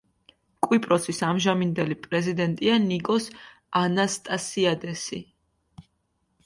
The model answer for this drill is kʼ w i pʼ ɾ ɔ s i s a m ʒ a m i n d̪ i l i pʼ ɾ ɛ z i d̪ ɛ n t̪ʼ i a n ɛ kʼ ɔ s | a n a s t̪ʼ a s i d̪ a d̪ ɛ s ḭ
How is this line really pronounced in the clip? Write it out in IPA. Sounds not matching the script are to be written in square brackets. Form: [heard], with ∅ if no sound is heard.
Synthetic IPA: kʼ w i pʼ ɾ ɔ s i s a m ʒ a m i n d̪ [ɛ] l i pʼ ɾ ɛ z i d̪ ɛ n t̪ʼ i a n [i] kʼ ɔ s | a n a s t̪ʼ a s i [∅] a d̪ ɛ s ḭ